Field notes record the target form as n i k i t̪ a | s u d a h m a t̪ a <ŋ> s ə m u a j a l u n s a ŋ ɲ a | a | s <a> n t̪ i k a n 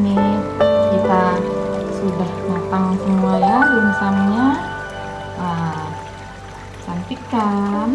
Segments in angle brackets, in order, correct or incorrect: correct, correct

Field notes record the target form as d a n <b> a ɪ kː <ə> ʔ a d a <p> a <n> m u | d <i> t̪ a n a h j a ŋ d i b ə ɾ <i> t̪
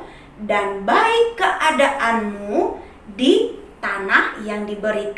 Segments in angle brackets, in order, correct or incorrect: correct, correct, incorrect, correct, correct, correct

